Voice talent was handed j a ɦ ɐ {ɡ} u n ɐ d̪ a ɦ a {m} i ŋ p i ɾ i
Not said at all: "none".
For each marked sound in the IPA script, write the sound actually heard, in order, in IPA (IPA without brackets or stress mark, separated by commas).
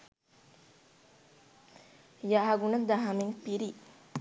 ɡ, m